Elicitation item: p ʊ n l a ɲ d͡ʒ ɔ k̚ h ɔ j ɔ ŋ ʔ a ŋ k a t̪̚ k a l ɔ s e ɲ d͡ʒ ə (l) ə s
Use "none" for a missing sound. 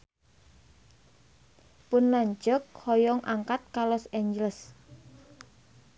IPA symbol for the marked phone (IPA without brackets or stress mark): l